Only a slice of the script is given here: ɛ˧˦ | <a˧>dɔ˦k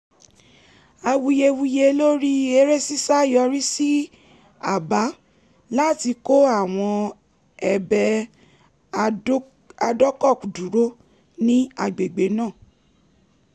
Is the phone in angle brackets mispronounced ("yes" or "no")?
no